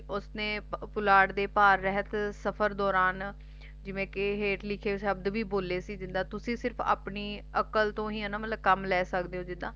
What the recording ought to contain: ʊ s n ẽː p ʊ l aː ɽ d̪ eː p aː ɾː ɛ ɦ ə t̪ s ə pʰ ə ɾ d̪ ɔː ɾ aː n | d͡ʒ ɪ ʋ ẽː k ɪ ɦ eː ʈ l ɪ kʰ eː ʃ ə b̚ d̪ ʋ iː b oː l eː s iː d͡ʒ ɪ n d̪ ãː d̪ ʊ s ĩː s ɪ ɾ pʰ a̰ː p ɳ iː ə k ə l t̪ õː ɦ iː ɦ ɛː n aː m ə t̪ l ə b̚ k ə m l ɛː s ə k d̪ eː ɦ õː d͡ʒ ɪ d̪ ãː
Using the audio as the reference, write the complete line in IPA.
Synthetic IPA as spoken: ʊ s n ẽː p ʊ l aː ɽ d̪ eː p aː ɾː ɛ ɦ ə t̪ s ə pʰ ə ɾ d̪ ɔː ɾ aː n | d͡ʒ ɪ ʋ ẽː k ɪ ɦ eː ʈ l ɪ kʰ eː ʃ ə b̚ d̪ ʋ iː b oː l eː s iː d͡ʒ ɪ n d̪ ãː t̪ ʊ s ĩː s ɪ ɾ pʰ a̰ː p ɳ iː ə k ə l t̪ õː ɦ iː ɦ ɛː n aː m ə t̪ l ə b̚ k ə m l ɛː s ə k d̪ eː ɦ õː d͡ʒ ɪ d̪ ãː

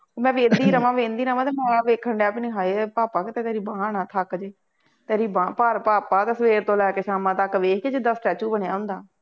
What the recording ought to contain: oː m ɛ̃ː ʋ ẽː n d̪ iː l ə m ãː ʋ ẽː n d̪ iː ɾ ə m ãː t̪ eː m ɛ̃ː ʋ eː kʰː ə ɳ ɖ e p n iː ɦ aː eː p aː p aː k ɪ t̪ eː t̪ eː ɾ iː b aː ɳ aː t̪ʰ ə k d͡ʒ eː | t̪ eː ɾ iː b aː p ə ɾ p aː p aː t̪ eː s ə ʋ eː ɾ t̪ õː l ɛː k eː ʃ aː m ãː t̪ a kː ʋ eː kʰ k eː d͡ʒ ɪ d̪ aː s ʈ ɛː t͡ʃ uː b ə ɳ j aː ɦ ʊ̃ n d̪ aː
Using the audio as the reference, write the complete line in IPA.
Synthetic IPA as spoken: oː m ɛ̃ː ʋ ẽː n d̪ iː ɾ ə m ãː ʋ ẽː n d̪ iː ɾ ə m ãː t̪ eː m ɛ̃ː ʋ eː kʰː ə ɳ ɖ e p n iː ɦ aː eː p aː p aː k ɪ t̪ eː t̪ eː ɾ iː b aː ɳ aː t̪ʰ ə k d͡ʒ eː | t̪ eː ɾ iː b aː p ə ɾ p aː p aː t̪ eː s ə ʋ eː ɾ t̪ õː l ɛː k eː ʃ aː m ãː t̪ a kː ʋ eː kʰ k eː d͡ʒ ɪ d̪ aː s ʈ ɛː t͡ʃ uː b ə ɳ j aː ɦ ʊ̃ n d̪ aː

